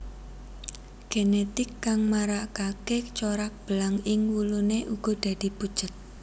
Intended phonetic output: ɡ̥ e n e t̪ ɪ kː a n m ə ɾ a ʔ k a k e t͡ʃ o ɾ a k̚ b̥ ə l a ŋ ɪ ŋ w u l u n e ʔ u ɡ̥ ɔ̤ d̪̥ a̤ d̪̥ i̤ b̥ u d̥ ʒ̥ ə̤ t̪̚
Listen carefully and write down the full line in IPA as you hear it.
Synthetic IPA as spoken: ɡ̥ e n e t̪ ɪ kː a ŋ m a ɾ a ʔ k a k e t͡ʃ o ɾ a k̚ b̥ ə l a ŋ ɪ ŋ w u l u n e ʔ u ɡ̥ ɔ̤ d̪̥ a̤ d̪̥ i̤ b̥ u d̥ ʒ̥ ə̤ t̪̚